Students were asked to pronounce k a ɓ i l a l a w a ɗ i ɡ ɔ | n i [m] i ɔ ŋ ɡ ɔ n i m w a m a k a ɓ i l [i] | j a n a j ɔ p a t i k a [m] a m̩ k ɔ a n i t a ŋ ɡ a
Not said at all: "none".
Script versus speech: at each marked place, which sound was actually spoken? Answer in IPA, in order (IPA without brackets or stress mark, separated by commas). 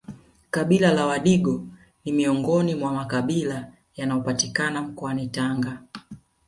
m, a, n